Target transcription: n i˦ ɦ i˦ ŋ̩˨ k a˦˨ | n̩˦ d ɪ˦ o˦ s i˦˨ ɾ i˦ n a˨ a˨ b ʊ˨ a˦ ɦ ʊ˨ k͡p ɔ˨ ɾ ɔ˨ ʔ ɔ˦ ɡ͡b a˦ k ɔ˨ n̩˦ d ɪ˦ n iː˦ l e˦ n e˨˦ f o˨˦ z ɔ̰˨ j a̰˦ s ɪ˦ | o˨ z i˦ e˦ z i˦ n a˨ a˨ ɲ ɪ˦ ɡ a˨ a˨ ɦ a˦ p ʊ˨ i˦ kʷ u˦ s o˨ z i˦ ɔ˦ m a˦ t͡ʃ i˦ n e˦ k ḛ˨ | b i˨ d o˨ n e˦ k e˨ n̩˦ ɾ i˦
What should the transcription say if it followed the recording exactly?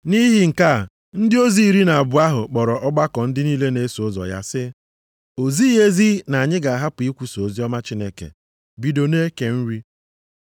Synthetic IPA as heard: n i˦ ɦ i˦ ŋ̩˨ k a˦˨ | n̩˦ d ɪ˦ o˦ z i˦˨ ɾ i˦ n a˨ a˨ b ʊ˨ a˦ ɦ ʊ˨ k͡p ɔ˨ ɾ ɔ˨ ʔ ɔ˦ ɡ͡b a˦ k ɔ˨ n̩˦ d ɪ˦ n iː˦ l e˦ n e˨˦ s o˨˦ z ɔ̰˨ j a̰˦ s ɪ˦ | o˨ z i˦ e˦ z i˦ n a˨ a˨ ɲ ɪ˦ ɡ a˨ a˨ ɦ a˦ p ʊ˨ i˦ kʷ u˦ s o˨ z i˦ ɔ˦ m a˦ t͡ʃ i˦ n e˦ k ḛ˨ | b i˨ d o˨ n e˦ k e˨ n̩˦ ɾ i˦